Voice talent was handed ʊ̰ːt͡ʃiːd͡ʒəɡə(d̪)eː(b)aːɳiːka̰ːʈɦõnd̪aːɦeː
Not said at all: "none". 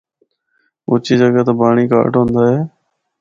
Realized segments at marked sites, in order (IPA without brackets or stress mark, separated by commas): t̪, b